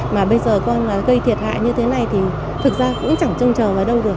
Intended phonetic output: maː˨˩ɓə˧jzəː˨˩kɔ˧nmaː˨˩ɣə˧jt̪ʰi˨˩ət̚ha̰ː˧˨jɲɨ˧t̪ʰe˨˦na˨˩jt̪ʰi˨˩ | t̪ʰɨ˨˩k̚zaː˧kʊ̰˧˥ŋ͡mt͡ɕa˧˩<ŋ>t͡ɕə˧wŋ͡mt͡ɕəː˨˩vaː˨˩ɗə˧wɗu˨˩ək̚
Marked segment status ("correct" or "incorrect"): correct